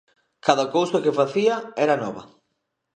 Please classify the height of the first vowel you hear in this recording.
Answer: low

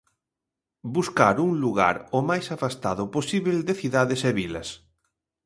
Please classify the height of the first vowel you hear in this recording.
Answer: high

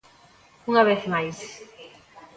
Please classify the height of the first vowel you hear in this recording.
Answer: high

